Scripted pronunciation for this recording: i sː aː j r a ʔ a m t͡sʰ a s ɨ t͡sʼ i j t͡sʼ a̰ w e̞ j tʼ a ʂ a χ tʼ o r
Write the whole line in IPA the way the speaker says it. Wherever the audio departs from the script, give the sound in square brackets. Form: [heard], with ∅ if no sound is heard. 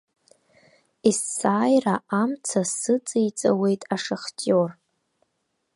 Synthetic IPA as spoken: i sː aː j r a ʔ a m t͡sʰ a s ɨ t͡sʼ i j t͡sʼ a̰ w e̞ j tʼ a ʂ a χ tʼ o r